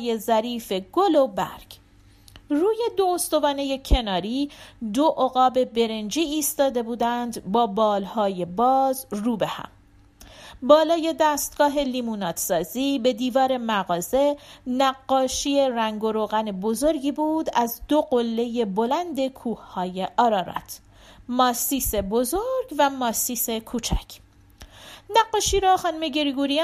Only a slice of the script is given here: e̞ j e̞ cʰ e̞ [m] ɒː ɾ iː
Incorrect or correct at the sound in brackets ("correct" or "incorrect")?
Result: incorrect